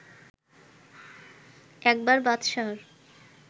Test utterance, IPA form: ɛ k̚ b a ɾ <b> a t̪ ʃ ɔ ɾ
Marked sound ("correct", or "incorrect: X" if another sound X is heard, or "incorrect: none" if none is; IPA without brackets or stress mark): correct